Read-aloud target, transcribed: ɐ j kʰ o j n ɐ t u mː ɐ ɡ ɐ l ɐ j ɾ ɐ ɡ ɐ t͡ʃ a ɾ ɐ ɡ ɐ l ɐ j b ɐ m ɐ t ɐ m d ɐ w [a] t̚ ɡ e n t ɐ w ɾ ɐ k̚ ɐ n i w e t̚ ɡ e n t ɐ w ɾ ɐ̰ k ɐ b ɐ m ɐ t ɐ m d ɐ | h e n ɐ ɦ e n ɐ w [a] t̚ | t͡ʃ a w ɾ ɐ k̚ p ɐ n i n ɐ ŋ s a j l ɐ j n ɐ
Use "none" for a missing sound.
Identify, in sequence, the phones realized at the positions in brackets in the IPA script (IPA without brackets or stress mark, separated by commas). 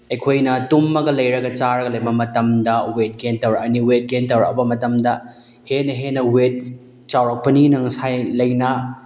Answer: e, e